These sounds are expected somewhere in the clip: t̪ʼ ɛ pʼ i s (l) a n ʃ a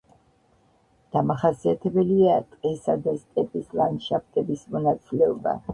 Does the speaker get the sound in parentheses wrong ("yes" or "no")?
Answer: no